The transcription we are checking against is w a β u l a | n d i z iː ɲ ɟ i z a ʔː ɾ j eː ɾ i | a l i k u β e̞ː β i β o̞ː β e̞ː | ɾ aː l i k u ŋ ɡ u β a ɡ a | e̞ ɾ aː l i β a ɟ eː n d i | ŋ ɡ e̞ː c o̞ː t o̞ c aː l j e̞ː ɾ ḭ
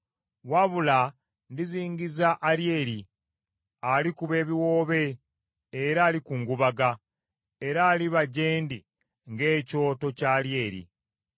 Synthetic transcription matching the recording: w a β u l a | n d i z iː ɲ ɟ i z a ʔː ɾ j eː ɾ i | a l i k u β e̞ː β i w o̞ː β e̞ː | ɾ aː l i k u ŋ ɡ u β a ɡ a | e̞ ɾ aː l i β a ɟ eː n d i | ŋ ɡ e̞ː c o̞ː t o̞ c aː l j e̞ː ɾ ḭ